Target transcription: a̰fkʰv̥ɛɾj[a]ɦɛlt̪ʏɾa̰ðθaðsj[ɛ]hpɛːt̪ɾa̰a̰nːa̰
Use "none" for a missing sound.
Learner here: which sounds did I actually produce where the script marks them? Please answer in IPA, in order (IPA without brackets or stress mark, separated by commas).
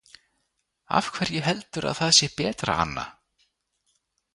ɛ, ɛ